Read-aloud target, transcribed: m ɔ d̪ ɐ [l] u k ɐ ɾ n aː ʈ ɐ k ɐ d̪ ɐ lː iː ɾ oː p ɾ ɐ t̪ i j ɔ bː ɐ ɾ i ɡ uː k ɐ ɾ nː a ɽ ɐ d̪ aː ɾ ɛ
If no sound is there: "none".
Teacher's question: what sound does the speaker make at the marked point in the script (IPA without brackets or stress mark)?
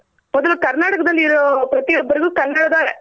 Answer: l